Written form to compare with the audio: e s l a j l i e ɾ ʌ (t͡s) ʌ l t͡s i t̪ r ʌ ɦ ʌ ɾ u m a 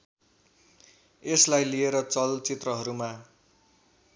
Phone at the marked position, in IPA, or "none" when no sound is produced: t͡s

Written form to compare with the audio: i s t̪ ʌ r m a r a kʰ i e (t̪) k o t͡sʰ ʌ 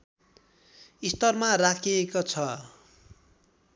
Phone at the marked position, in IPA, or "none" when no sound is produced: none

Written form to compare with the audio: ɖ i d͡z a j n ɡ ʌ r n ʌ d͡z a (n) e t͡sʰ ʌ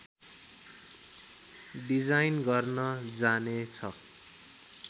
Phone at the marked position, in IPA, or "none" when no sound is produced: n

